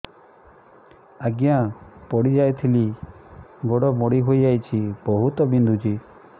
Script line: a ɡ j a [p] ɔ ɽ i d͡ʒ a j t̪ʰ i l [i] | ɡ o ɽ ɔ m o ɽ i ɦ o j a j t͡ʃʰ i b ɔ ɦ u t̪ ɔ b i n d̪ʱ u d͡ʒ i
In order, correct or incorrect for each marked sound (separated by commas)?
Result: correct, correct